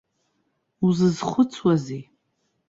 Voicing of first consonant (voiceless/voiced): voiced